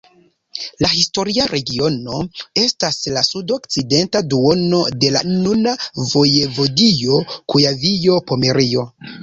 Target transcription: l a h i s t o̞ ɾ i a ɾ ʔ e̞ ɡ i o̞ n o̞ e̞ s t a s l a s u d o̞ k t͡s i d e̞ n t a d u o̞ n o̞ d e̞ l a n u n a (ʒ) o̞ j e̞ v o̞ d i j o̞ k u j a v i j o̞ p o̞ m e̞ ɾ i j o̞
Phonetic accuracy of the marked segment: incorrect: v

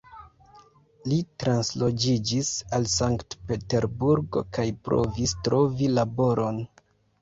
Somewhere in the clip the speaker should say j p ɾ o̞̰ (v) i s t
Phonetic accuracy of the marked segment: correct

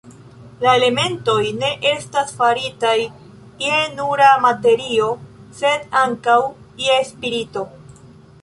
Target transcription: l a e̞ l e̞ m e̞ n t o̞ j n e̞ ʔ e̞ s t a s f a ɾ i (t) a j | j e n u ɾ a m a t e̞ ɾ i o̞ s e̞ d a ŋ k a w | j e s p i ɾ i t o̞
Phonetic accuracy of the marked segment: correct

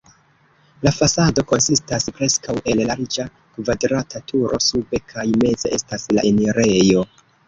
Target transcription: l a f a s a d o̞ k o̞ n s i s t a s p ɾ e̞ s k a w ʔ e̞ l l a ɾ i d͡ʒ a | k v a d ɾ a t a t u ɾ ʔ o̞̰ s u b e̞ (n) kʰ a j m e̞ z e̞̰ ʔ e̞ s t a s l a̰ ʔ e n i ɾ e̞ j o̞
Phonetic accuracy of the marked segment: incorrect: none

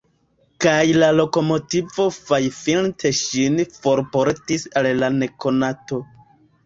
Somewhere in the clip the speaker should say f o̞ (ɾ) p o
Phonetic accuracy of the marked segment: correct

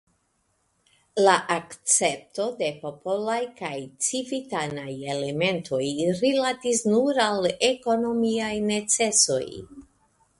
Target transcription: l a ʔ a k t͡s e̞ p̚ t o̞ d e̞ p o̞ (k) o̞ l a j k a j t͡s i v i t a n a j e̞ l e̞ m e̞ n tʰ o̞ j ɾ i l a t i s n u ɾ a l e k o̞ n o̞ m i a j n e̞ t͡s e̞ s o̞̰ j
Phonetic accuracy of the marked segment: incorrect: p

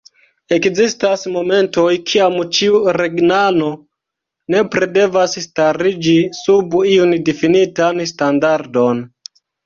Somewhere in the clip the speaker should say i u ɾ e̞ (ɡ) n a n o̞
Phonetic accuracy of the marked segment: correct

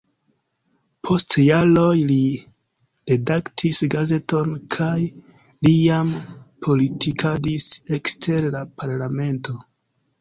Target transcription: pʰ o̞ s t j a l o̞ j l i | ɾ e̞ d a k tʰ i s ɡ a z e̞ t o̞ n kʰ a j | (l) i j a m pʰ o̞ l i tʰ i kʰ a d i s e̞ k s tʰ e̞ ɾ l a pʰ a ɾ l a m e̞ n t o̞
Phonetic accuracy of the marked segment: correct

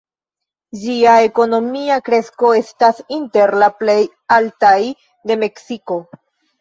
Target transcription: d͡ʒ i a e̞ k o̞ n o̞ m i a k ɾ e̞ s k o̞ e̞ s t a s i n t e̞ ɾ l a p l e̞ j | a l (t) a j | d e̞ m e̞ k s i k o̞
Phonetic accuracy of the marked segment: correct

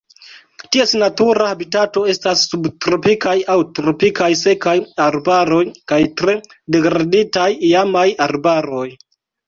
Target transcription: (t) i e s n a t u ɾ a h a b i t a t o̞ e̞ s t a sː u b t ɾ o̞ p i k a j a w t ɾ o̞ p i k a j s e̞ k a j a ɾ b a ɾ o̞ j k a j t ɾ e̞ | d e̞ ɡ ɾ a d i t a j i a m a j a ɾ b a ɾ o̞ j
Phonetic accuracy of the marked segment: correct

